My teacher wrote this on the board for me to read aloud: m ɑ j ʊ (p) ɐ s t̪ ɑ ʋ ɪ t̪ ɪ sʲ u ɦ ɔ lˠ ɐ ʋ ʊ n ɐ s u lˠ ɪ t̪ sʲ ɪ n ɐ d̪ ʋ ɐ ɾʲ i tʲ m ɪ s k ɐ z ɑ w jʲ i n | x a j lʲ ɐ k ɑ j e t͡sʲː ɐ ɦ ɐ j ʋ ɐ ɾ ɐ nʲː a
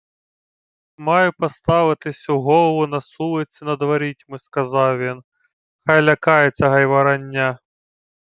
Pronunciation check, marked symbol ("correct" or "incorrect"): correct